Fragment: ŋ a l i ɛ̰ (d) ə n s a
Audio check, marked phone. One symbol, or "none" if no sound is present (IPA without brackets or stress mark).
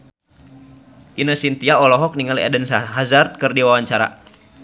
d